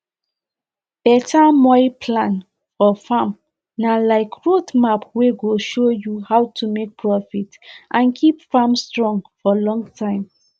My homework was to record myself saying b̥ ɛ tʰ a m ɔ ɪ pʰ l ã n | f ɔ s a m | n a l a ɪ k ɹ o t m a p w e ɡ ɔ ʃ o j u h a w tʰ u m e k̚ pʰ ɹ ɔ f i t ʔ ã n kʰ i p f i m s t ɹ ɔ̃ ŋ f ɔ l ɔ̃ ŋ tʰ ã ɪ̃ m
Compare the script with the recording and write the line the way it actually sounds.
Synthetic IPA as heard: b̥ ɛ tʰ a m ɔ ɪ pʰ l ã n | f ɔ f a m | n a l a ɪ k ɹ o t m a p w e ɡ o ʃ o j u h a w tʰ u m e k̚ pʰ ɹ ɔ f i t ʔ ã n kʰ i p f a m s t ɹ ɔ̃ ŋ f ɔ l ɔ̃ ŋ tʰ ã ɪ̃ m